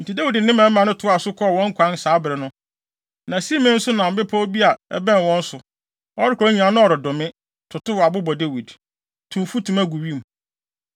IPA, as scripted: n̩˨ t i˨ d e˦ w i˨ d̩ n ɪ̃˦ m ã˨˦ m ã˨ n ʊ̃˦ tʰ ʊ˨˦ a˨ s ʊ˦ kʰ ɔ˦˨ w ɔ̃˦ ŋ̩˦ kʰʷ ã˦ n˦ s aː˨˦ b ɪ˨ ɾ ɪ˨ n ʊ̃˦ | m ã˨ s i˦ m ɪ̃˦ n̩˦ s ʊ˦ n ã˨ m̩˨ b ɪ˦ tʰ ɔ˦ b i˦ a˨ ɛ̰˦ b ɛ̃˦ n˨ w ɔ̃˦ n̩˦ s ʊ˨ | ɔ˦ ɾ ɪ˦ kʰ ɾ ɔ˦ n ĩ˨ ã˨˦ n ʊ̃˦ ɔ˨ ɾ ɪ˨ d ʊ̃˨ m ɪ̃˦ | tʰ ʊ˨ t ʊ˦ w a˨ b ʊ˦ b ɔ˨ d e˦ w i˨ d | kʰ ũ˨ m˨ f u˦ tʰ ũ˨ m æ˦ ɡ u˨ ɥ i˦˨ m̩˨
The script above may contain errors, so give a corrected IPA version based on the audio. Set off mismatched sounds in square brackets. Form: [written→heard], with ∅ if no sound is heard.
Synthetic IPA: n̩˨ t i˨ d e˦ w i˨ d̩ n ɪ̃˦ m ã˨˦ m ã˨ n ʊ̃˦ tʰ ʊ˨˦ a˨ s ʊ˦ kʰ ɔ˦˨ w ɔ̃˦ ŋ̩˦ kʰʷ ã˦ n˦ s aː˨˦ b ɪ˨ ɾ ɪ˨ n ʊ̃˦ | [m→n] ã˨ s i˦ m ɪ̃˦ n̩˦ s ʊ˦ n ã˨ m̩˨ b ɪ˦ [tʰ→pʰ] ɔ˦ b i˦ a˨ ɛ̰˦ b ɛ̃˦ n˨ w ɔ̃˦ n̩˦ s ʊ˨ | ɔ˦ ɾ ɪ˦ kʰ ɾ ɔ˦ [n→ɲ] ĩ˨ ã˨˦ n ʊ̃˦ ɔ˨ ɾ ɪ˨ d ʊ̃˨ m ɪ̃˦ | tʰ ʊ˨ t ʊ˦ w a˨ b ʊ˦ b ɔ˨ d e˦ w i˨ d | [kʰ→tʰ] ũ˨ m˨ f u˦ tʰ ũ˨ m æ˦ ɡ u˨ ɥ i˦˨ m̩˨